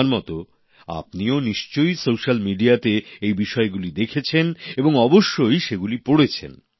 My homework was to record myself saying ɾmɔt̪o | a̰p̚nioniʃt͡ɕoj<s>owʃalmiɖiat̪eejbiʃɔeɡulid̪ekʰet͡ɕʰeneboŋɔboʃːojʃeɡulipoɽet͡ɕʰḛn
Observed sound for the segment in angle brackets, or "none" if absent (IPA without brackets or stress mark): s